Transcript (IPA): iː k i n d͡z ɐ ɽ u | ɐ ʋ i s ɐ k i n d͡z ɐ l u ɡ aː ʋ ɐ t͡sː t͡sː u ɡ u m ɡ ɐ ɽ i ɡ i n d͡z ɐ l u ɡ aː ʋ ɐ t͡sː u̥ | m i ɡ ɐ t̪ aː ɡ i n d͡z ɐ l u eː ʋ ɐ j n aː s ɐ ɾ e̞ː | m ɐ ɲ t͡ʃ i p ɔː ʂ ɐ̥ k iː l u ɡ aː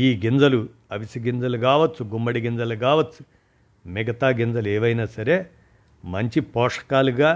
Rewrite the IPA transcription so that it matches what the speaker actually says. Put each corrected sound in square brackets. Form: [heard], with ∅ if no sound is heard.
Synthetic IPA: iː [ɡ] i n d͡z ɐ [l] u | ɐ ʋ i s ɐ [ɡ] i n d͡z ɐ l u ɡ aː ʋ ɐ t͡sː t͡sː u ɡ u m [b] ɐ ɽ i ɡ i n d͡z ɐ l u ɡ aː ʋ ɐ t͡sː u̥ | m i ɡ ɐ t̪ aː ɡ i n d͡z ɐ l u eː ʋ ɐ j n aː s ɐ ɾ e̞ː | m ɐ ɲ t͡ʃ i p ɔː ʂ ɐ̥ k [aː] l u ɡ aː